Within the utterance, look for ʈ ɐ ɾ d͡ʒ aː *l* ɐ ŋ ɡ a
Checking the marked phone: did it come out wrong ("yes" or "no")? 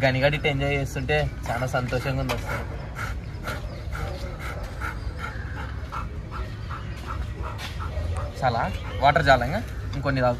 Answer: no